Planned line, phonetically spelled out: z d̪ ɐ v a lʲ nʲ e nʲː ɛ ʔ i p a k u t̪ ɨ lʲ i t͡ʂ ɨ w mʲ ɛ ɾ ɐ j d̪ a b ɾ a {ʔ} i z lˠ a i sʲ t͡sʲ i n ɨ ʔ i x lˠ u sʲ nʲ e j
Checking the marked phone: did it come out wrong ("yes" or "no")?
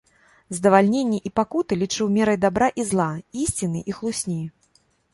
no